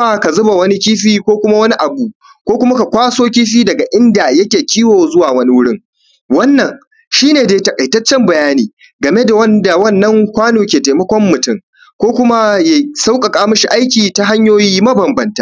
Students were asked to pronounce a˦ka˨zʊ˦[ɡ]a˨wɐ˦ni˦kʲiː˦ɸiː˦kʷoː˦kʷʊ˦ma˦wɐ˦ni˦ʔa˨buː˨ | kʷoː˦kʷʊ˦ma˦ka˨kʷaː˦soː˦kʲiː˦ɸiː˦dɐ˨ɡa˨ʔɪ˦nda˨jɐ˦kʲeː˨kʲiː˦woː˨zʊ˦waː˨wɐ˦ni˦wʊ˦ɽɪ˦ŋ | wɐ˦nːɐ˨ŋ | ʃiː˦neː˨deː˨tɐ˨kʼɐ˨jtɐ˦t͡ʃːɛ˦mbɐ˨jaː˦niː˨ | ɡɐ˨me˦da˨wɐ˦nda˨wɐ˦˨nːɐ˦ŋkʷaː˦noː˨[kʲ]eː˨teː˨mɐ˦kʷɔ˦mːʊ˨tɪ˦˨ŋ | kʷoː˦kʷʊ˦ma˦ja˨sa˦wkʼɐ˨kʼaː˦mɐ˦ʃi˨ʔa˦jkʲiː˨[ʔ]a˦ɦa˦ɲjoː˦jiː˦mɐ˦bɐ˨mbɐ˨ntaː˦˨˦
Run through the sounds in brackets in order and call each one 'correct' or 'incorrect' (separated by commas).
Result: incorrect, correct, incorrect